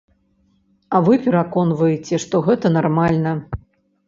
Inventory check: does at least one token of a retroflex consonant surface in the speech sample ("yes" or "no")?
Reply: yes